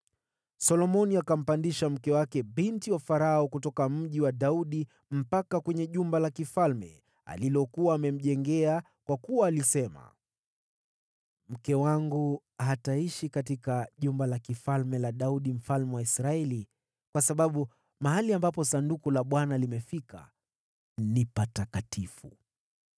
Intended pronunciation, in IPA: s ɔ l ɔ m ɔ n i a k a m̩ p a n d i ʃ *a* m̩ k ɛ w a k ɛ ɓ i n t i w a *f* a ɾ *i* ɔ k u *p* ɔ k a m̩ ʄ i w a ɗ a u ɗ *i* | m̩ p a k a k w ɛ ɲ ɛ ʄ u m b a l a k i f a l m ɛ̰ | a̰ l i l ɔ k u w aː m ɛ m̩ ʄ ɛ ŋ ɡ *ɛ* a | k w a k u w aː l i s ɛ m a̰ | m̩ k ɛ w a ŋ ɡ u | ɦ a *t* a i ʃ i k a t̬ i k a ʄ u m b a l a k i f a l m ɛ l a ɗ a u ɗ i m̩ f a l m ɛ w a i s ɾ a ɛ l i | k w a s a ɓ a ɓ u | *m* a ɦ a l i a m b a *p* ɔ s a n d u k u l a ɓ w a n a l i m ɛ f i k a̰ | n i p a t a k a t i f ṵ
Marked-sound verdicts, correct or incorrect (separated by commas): correct, correct, incorrect, incorrect, correct, correct, correct, correct, correct